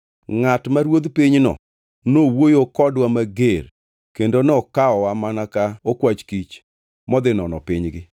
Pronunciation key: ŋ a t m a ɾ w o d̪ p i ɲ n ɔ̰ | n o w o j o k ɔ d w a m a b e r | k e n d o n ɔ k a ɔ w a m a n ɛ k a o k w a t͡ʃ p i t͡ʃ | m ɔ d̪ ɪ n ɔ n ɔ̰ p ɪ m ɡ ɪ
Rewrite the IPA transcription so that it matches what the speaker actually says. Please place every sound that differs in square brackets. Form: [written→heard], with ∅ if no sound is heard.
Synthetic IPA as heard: ŋ a t m a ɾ w o d̪ p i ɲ n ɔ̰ | n o w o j o k ɔ d w a m a [b→ɡ] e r | k e n d o n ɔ k a ɔ w a m a n [ɛ→a] k a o k w a t͡ʃ [p→k] i t͡ʃ | m ɔ d̪ ɪ n ɔ n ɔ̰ p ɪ [m→ɲ] ɡ ɪ